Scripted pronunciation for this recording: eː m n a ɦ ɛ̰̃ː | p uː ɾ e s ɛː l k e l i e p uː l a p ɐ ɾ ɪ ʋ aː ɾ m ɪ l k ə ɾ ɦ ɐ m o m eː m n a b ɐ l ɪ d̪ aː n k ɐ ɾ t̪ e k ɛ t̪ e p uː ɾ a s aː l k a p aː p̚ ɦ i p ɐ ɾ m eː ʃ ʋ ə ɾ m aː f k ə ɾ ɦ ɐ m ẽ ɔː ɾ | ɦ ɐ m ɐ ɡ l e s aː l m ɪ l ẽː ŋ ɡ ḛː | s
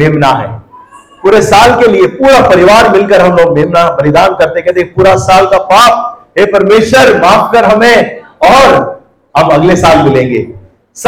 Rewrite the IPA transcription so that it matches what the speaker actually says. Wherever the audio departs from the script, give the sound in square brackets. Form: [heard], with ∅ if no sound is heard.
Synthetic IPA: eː m n a ɦ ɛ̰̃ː | p uː ɾ e s [aː] l k e l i e p uː [ɾ] a p ɐ ɾ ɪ ʋ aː ɾ m ɪ l k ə ɾ ɦ ɐ m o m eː m n a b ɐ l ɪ d̪ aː n k ɐ ɾ t̪ e k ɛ t̪ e p uː ɾ a s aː l k a p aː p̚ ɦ [e] p ɐ ɾ m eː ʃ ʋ ə ɾ m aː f k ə ɾ ɦ ɐ m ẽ ɔː ɾ | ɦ ɐ m ɐ ɡ l e s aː l m ɪ l ẽː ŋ ɡ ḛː | s